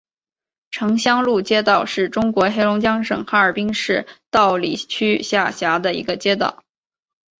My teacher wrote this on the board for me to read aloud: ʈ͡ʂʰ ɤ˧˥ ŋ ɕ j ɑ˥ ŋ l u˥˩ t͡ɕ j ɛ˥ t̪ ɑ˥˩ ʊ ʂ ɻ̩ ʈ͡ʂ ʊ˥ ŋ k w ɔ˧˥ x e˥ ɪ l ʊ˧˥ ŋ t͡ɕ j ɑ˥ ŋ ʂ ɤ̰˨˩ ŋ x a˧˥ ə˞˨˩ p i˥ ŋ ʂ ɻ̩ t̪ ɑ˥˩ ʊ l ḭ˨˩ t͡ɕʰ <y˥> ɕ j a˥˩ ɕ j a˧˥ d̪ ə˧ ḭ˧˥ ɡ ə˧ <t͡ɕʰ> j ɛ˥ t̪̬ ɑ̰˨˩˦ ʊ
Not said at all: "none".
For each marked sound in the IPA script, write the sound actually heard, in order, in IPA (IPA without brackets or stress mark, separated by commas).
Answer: y˥, t͡ɕ